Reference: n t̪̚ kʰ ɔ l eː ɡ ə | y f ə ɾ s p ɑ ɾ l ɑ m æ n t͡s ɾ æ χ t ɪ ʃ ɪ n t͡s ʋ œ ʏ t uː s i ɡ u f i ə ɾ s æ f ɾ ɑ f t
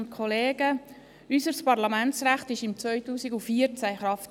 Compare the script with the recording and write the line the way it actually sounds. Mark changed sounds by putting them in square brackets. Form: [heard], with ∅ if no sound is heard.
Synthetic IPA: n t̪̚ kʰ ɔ l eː ɡ ə | y [s] ə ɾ s p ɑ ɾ l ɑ m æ n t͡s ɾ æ χ t ɪ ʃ ɪ [m] t͡s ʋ œ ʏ t uː s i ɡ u f i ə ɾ [t͡s] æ [χ] ɾ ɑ f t